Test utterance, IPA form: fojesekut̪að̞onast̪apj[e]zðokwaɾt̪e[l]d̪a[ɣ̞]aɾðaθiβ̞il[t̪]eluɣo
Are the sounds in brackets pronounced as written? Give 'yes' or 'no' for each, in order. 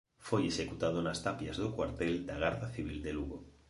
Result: no, yes, yes, no

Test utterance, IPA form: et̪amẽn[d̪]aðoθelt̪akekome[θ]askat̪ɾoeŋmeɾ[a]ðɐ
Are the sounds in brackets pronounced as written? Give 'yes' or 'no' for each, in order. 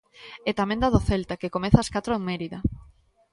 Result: yes, yes, no

